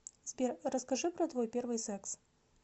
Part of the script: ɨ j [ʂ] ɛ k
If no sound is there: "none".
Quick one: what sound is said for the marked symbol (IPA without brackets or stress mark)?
s